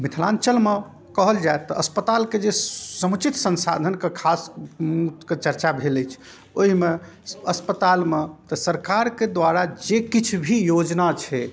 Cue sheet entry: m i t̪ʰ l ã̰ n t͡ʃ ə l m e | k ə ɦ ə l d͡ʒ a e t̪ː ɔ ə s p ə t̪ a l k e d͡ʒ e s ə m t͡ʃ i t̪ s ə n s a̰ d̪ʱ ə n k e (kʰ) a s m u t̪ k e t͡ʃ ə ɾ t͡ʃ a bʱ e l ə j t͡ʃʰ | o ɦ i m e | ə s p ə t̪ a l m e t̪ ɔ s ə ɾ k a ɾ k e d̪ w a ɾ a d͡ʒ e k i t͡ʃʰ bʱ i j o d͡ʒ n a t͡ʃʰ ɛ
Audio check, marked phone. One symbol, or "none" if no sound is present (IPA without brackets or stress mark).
kʰ